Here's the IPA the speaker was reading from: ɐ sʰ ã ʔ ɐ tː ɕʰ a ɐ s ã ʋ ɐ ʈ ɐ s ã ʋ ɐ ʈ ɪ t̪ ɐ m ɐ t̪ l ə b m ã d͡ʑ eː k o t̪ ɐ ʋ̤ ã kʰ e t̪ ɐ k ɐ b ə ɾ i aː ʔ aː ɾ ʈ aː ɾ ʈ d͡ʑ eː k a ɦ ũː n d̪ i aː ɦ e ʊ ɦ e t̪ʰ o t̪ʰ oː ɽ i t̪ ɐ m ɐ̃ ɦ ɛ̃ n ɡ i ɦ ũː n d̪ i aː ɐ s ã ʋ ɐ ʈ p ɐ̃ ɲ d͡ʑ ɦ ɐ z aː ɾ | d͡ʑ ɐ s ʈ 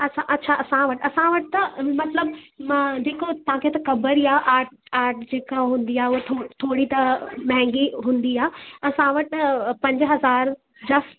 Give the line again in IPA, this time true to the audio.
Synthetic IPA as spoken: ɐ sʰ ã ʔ ɐ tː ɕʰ a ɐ s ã ʋ ɐ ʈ ɐ s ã ʋ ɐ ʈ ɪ t̪ ɐ m ɐ t̪ l ə b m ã d͡ʑ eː k o t̪ ɐ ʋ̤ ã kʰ e t̪ ɐ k ɐ b ə ɾ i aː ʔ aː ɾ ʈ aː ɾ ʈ d͡ʑ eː k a ɦ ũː n d̪ i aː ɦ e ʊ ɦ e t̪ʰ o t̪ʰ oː ɽ i t̪ ɐ m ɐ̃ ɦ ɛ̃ ŋ ɡ i ɦ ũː n d̪ i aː ɐ s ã ʋ ɐ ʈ p ɐ̃ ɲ d͡ʑ ɦ ɐ z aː ɾ | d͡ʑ ɐ s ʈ